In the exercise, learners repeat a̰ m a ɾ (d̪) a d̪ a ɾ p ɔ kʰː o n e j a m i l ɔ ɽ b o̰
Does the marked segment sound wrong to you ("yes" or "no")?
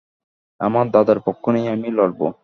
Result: no